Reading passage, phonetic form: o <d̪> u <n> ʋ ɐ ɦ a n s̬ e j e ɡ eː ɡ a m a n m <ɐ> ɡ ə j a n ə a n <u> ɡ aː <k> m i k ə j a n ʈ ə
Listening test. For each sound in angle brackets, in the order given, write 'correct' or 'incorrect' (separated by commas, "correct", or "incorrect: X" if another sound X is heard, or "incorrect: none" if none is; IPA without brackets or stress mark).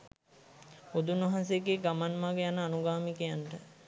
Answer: correct, correct, incorrect: a, correct, incorrect: none